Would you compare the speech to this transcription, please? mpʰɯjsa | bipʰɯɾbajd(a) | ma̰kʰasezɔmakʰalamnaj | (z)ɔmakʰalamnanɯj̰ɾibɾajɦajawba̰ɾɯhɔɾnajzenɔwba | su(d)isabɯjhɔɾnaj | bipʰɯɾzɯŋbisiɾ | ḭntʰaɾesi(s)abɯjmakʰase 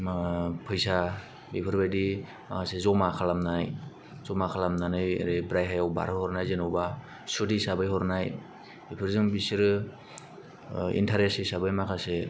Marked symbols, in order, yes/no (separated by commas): no, yes, yes, yes